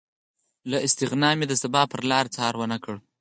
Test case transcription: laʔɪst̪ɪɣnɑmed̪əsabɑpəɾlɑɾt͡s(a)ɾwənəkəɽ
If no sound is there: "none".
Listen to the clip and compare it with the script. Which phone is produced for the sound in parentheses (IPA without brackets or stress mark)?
ɑ